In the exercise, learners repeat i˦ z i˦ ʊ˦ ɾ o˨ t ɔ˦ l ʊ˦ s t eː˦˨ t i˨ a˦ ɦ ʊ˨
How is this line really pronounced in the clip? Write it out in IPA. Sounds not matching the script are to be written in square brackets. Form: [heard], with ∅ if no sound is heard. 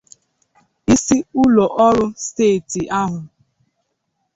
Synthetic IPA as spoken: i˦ [s] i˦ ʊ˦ [l] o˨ [ʔ] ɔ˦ [ɾ] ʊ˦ s t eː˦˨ t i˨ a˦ ɦ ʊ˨